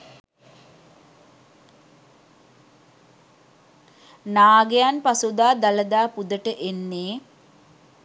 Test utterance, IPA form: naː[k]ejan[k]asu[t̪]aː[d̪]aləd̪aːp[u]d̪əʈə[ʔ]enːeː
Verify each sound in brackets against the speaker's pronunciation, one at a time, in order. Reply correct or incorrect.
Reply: incorrect, incorrect, incorrect, correct, correct, correct

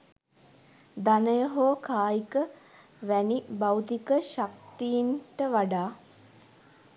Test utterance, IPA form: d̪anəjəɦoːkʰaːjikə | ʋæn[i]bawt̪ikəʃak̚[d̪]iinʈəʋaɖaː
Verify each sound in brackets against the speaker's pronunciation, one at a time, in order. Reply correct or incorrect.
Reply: correct, incorrect

